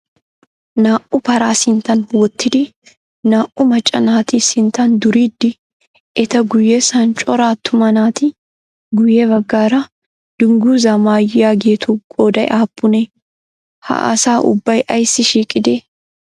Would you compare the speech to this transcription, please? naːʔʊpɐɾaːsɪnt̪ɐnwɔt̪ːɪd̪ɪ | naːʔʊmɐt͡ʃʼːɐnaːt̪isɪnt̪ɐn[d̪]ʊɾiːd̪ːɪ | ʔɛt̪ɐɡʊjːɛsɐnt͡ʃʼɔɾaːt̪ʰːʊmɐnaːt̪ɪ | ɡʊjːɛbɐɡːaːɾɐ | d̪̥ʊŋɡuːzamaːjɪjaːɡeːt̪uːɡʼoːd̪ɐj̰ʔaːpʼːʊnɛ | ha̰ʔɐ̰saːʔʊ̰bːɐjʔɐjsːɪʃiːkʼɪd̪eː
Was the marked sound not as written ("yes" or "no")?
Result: no